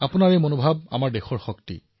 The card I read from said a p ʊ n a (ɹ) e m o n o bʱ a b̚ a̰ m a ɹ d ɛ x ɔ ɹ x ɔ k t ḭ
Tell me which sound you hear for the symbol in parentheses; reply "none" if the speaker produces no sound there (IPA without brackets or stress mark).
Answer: ɹ